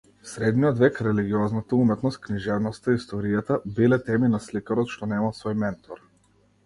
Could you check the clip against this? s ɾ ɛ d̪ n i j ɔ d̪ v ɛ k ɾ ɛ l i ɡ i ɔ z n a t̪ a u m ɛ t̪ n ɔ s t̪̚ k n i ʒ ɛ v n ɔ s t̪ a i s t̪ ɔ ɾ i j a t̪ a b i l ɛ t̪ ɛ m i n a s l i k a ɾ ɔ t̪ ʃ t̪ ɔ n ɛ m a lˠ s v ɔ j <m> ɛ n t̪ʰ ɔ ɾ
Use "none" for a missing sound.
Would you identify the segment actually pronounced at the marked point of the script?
m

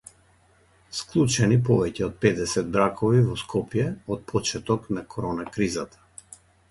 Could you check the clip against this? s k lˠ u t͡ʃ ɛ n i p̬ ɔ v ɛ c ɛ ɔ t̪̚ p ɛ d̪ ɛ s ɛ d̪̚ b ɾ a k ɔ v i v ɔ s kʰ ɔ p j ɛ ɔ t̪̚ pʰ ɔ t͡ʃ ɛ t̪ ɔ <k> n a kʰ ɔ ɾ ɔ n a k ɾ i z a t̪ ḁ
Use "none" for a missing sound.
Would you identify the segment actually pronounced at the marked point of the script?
k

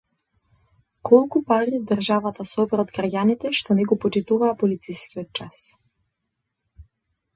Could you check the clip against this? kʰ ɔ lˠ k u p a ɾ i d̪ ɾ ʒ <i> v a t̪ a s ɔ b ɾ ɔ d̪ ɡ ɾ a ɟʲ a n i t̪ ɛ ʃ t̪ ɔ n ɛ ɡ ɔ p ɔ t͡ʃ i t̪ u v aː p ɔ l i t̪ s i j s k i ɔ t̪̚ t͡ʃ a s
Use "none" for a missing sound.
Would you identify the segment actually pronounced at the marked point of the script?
a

